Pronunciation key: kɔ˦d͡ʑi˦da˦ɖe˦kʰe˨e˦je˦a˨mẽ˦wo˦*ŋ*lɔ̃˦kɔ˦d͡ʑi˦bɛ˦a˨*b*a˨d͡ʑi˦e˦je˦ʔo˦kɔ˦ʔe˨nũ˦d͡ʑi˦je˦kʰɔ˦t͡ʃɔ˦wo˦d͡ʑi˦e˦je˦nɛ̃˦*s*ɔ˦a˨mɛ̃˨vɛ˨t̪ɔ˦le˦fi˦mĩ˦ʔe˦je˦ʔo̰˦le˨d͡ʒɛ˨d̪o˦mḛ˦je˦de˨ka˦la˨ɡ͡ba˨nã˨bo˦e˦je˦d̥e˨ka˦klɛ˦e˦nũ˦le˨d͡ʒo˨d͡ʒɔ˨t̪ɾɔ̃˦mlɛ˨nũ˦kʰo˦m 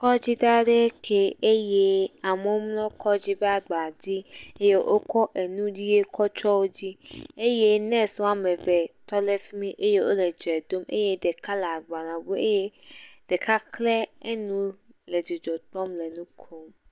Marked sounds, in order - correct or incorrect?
incorrect, incorrect, correct

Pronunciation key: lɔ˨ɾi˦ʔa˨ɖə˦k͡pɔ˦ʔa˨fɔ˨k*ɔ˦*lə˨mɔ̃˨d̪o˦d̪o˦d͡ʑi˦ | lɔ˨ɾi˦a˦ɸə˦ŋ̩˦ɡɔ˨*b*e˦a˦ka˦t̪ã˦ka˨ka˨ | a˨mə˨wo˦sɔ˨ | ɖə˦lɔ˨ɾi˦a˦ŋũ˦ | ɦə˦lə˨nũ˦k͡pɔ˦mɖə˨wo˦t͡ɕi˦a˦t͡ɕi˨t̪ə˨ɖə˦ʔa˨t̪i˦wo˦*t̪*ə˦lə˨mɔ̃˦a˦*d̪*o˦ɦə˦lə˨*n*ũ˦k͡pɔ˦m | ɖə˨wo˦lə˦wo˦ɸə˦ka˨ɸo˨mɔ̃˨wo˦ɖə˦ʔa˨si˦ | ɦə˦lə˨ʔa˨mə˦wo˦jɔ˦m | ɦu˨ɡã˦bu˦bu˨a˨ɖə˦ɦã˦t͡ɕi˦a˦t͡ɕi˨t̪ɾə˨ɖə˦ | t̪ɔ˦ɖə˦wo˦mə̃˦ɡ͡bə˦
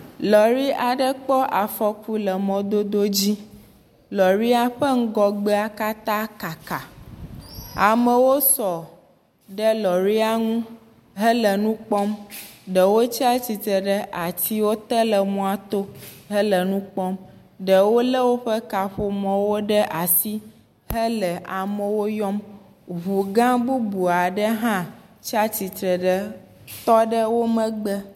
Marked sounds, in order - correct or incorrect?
incorrect, incorrect, correct, incorrect, correct

